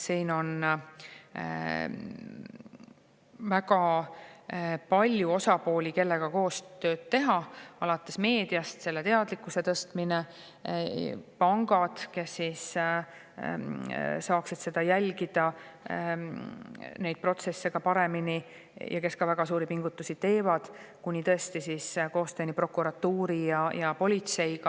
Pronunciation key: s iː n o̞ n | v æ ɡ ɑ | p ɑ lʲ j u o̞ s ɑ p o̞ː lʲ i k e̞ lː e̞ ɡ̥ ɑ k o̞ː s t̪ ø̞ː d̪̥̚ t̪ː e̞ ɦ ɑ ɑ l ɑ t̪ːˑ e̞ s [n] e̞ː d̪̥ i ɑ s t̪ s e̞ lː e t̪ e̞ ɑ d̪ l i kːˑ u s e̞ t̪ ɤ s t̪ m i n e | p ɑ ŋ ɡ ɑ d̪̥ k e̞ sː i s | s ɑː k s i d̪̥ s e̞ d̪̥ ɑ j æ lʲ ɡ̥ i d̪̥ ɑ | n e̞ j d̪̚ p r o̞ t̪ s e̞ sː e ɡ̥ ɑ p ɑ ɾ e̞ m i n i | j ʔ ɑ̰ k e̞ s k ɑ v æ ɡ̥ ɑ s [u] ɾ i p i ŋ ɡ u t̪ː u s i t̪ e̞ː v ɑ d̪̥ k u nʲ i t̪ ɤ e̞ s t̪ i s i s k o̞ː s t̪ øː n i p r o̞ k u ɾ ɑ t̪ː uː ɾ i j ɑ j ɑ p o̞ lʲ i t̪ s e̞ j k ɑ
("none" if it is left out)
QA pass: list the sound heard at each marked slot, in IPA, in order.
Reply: m, uː

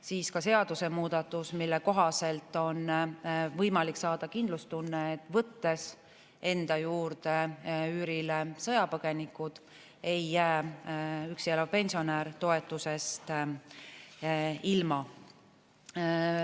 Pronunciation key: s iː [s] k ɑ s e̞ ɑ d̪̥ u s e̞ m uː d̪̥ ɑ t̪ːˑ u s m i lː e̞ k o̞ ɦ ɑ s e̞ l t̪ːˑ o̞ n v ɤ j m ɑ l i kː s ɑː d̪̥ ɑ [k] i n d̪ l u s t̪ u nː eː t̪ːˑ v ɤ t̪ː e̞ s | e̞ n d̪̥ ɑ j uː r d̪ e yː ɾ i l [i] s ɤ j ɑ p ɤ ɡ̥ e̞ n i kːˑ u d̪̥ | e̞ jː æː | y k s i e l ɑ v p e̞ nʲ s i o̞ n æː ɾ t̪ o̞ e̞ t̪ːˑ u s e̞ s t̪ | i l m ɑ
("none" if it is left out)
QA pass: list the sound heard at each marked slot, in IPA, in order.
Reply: s, k, e

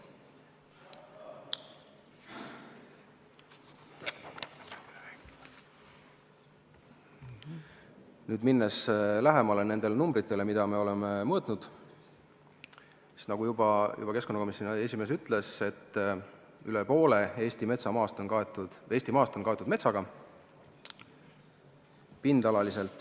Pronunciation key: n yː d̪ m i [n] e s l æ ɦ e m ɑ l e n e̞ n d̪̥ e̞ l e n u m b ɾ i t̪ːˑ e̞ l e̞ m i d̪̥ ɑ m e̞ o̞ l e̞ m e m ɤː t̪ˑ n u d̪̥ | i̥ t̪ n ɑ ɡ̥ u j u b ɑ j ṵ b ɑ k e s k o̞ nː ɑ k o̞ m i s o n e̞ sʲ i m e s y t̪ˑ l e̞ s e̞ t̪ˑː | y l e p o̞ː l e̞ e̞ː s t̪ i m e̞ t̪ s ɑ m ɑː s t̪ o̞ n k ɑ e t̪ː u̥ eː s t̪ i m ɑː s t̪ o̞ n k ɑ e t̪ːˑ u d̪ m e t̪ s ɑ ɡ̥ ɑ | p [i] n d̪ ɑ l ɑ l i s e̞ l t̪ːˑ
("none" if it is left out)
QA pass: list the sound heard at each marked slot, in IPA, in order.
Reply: nː, i

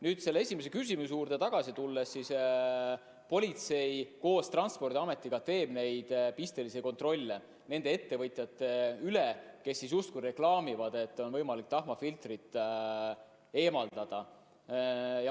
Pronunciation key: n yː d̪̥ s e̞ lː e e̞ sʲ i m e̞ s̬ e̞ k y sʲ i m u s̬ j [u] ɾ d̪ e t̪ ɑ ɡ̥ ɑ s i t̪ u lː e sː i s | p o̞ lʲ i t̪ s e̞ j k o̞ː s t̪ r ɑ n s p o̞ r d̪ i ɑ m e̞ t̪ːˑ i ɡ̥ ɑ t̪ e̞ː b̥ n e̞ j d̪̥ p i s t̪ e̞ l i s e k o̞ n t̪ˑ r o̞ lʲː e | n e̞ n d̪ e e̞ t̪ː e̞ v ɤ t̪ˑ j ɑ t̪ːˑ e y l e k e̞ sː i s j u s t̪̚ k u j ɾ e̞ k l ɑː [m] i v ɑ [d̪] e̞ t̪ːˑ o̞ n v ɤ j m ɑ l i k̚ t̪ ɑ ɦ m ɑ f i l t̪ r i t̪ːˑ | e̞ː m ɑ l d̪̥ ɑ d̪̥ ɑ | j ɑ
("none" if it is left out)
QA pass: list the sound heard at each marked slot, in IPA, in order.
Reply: uː, m, d̪

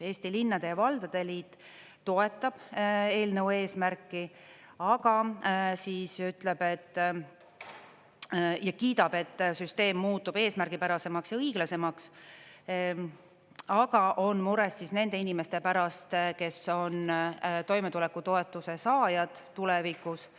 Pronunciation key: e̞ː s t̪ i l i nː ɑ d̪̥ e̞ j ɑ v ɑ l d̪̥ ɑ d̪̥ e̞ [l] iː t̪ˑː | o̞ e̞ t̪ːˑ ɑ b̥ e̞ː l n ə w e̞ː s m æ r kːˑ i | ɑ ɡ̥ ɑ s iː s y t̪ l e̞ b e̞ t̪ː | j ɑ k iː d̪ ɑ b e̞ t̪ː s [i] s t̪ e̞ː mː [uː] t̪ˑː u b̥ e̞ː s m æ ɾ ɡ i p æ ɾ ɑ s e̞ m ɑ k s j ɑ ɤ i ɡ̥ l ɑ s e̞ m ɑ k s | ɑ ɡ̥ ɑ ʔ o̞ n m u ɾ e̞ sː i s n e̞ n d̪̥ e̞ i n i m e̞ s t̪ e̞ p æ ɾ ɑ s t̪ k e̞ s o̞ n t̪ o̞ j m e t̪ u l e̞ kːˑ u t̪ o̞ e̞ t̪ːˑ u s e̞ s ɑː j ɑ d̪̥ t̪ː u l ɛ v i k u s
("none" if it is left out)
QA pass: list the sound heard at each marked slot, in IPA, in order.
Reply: l, y, uː

